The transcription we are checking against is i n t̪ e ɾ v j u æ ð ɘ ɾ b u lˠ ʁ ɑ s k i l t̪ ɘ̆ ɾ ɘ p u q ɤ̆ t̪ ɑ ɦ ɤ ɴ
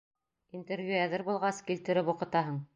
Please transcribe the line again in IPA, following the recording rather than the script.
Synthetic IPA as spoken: i n t̪ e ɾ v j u æ ð ɘ ɾ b u lˠ ʁ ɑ s k i l t̪ ɘ̆ ɾ ɘ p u q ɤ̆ t̪ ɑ ɦ ɤ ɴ